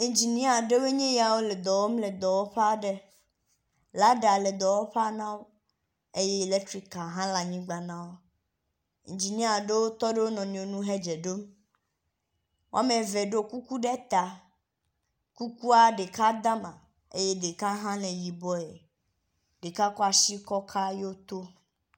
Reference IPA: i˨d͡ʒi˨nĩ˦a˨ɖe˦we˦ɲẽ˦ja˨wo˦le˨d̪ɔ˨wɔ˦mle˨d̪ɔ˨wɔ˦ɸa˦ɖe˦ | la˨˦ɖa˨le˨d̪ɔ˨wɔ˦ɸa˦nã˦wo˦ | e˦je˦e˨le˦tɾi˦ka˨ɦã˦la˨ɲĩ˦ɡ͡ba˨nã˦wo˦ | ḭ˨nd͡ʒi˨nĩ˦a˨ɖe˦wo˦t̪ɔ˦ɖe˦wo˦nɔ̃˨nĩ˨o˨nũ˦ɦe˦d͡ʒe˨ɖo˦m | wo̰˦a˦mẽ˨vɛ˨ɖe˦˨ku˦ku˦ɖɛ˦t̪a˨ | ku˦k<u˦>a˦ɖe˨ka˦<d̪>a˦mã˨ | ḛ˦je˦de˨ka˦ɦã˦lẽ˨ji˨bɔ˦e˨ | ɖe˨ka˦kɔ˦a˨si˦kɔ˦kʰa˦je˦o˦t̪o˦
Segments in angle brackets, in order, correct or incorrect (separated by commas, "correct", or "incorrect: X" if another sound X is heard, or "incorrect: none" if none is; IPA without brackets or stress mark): correct, correct